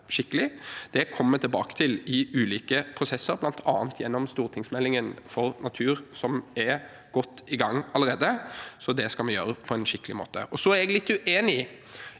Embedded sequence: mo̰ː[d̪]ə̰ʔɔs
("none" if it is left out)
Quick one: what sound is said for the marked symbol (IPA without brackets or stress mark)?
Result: t̪